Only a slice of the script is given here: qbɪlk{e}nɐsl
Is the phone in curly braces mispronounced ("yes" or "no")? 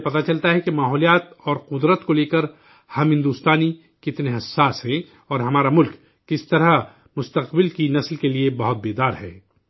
yes